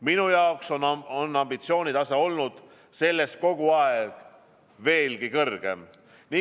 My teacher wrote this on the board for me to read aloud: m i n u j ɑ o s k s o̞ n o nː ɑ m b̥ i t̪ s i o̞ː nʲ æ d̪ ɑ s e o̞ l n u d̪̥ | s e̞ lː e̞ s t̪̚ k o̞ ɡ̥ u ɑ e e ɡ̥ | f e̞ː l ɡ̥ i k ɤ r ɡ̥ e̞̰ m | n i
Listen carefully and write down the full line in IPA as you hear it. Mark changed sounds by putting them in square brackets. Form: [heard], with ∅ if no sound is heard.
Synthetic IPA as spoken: m i n u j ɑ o [∅] k s o̞ n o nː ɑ m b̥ i t̪ s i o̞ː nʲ [i] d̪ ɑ s e o̞ l n u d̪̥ | s e̞ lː e̞ s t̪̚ k o̞ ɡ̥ u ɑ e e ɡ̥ | [v] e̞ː l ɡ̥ i k ɤ r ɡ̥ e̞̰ m | n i